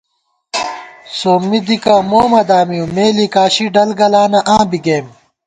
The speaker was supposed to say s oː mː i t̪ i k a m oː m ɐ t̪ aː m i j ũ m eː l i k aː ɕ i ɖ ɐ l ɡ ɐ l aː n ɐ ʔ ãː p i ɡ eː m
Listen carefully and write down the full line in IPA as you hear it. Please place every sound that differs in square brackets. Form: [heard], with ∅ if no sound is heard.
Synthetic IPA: s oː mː i [d̪] i k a m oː m ɐ [d̪] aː m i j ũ m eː l i k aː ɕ i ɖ ɐ l ɡ ɐ l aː n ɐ ʔ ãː [b] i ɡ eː m